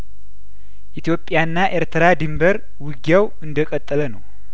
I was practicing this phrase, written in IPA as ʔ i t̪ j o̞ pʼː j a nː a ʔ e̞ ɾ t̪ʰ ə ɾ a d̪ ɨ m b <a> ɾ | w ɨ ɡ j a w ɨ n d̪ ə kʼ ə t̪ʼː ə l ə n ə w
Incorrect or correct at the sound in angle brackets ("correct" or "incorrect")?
incorrect